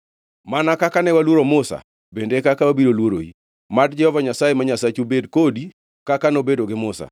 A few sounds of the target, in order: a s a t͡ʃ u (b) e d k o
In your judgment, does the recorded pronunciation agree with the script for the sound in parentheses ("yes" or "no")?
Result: yes